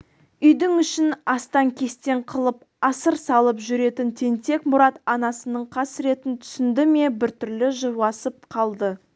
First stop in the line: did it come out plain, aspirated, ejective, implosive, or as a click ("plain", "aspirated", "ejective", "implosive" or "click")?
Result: plain